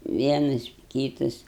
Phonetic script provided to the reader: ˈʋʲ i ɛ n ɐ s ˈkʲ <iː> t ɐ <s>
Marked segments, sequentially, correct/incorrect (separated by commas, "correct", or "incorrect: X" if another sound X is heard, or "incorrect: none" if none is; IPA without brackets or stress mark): correct, correct